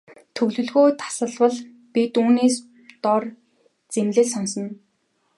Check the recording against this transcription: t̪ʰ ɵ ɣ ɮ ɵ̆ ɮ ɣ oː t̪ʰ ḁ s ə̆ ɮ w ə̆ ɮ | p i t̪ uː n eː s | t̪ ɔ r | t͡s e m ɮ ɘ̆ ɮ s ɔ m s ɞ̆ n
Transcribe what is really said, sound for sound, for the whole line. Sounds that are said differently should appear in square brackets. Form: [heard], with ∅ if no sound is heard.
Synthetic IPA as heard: t̪ʰ ɵ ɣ ɮ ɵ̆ ɮ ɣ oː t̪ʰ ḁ s ə̆ ɮ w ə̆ ɮ | p i t̪ uː n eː s | t̪ ɔ r | t͡s e m ɮ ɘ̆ ɮ s ɔ [n] s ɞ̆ n